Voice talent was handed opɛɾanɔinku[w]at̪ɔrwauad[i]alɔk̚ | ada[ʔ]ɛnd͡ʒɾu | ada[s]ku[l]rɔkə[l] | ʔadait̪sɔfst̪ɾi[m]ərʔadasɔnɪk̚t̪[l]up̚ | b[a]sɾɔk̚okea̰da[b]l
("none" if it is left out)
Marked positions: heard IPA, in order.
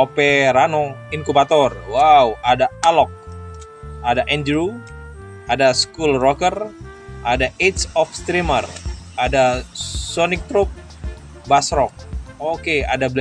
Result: b, a, ʔ, s, l, r, m, ɾ, a, b

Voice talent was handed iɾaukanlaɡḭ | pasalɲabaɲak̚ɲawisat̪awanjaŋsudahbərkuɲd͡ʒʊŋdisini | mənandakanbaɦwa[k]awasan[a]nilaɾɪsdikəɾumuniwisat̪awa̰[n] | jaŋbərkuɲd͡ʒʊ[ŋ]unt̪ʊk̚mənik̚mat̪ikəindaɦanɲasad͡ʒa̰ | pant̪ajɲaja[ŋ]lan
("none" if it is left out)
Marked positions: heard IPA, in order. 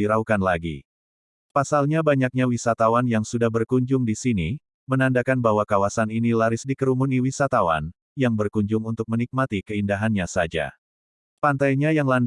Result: k, i, n, ŋ, ŋ

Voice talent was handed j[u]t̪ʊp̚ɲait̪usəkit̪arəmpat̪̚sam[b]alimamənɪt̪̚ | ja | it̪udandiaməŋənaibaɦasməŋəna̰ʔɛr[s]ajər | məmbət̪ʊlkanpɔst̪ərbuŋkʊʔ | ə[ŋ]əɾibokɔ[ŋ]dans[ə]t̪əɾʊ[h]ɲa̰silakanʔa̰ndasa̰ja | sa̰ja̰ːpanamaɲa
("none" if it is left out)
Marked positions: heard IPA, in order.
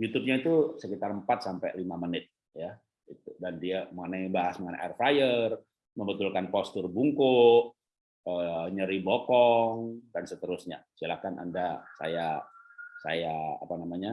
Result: u, p, f, ɲ, ŋ, ə, s

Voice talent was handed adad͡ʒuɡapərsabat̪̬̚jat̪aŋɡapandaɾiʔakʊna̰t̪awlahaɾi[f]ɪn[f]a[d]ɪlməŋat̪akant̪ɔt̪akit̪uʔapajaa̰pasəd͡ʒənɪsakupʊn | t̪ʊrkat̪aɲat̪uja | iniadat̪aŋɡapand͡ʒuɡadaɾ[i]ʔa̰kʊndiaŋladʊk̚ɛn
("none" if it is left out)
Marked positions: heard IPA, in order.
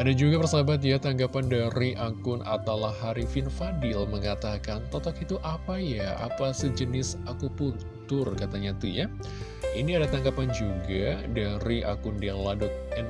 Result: f, f, d, i

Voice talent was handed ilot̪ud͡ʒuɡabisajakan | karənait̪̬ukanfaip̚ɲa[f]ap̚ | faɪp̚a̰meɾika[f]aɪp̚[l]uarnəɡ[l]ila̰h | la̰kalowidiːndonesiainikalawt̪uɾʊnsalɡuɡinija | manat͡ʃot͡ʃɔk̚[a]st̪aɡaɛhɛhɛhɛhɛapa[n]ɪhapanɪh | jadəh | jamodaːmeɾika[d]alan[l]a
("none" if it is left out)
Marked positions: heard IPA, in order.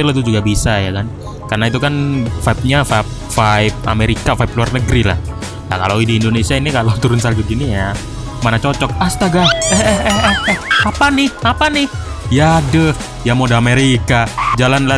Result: f, f, l, ɾ, a, n, d͡ʒ, l

